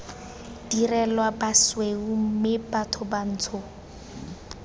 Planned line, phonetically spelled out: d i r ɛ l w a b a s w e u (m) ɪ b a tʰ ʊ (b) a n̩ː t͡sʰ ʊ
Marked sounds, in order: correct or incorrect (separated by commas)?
correct, correct